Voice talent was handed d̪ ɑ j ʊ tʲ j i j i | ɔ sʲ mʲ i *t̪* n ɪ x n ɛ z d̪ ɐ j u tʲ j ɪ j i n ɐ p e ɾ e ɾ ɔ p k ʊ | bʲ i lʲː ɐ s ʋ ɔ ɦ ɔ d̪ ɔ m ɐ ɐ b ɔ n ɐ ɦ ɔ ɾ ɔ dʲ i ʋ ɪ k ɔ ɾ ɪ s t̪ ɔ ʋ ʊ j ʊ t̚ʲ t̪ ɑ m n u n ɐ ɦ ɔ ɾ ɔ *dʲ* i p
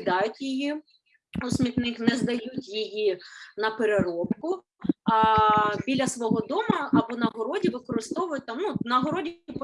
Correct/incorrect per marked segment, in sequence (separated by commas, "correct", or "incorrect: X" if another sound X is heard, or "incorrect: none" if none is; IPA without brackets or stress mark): correct, correct